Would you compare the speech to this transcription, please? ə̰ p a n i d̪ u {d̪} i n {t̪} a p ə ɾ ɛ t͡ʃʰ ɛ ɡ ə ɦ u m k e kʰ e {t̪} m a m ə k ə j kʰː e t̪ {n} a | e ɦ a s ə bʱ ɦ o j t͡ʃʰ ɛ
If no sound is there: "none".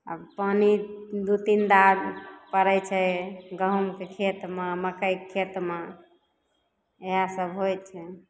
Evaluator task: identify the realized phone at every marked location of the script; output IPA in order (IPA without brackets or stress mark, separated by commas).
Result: t̪, d̪, t̪, m